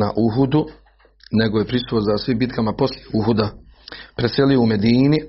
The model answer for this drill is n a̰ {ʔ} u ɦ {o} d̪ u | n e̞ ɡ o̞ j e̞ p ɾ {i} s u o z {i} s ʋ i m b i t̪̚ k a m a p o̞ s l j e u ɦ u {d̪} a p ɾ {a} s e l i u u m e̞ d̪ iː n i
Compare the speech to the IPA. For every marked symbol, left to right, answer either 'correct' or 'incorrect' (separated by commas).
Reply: correct, incorrect, correct, incorrect, correct, incorrect